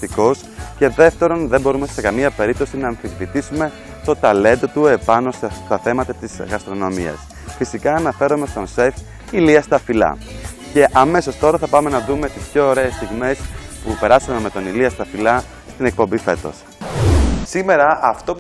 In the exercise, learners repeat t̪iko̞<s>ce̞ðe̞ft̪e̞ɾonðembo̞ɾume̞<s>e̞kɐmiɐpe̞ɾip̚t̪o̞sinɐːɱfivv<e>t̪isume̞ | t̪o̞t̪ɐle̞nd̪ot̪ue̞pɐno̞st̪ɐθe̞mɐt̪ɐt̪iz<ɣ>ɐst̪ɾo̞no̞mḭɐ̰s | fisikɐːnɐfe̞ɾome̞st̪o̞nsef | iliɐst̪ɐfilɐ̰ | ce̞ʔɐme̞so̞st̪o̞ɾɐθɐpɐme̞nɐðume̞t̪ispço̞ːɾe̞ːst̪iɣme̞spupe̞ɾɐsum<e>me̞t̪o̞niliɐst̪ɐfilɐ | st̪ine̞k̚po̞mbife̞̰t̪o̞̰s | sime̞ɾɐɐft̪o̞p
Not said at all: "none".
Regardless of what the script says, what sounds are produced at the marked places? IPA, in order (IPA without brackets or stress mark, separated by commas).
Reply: s, s, i, ɣ, e